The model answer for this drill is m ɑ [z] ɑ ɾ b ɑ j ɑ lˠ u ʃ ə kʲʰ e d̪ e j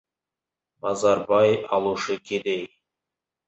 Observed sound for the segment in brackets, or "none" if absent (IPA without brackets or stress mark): z